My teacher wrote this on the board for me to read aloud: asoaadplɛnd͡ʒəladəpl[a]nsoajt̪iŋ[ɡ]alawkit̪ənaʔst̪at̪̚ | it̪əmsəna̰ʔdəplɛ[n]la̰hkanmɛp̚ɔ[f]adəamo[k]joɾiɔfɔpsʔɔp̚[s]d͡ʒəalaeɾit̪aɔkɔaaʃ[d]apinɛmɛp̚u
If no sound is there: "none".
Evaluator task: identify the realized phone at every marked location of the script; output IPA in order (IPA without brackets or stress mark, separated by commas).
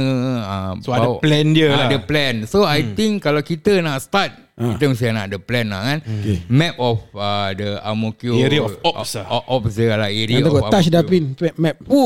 ɛ, k, n, f, k, s, d